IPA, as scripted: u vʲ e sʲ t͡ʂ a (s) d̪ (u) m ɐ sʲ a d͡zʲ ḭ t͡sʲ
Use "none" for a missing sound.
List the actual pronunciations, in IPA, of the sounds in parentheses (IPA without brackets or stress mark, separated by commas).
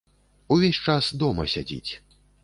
s, ɔ